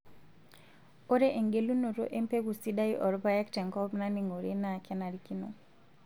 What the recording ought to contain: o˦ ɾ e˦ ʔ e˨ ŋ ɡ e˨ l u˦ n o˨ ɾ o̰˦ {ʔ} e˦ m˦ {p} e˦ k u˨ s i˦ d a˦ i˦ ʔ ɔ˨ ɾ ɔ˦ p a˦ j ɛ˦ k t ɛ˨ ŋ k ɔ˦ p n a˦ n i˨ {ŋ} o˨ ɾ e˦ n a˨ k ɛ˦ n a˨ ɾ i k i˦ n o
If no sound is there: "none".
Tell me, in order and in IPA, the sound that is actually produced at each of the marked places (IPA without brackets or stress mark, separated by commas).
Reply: ʔ, p, ŋ